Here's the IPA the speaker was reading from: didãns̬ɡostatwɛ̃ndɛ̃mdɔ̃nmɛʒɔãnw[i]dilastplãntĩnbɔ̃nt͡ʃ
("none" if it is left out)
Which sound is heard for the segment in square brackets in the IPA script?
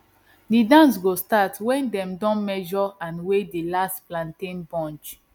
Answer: e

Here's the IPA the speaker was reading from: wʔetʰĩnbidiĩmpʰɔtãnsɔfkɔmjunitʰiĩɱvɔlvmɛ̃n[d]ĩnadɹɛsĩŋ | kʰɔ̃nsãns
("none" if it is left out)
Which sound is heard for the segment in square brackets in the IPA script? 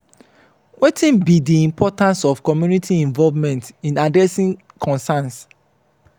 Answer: t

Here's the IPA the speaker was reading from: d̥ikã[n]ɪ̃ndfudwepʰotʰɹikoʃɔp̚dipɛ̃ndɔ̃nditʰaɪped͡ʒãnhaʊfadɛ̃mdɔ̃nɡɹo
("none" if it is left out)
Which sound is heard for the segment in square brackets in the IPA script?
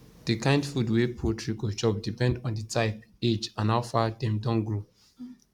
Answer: none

